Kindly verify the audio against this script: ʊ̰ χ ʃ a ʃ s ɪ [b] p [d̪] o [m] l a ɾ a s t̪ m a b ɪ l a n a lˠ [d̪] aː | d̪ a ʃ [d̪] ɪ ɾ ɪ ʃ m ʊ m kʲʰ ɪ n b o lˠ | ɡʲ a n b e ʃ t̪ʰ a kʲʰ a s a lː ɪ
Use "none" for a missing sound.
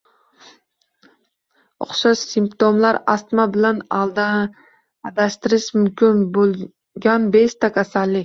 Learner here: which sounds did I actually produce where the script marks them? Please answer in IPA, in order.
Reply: m, t̪, m, d̪, t̪

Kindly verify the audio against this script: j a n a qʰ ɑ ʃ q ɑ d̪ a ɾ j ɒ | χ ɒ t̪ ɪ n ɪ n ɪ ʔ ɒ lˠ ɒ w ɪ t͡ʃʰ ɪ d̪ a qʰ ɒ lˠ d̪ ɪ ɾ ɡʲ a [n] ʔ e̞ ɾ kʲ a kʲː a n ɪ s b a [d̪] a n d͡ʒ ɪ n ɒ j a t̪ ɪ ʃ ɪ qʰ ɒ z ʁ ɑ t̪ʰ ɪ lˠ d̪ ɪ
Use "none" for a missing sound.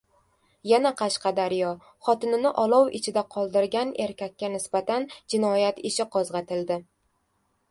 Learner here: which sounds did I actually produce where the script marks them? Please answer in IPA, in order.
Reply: n, t̪

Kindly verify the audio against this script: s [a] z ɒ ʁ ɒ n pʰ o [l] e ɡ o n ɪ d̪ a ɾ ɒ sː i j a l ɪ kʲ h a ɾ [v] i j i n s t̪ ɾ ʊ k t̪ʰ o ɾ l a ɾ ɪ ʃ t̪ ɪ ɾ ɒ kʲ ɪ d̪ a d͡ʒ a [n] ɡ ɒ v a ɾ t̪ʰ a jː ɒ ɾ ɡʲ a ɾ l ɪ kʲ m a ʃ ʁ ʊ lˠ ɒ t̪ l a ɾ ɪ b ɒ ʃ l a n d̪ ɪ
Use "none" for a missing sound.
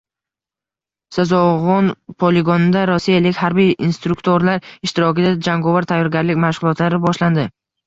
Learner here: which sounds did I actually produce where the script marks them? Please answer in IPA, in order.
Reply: a, l, b, ŋ

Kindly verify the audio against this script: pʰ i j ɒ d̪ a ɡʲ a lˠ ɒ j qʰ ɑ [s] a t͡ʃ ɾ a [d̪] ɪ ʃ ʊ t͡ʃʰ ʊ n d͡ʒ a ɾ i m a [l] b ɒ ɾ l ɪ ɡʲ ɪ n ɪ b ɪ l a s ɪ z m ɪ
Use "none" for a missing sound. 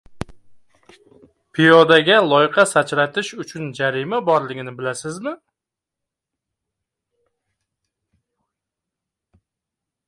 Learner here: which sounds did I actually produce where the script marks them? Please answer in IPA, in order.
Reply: s, t̪, none

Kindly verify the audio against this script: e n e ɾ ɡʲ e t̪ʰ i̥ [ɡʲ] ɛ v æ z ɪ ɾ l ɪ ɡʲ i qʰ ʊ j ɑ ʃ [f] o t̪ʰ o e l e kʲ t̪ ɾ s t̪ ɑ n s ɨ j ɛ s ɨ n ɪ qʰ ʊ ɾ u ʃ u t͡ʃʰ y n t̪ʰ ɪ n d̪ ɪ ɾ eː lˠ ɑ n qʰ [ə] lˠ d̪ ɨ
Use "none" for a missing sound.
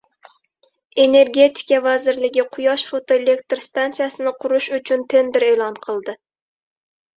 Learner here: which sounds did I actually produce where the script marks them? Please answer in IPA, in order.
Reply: kʲ, f, ə

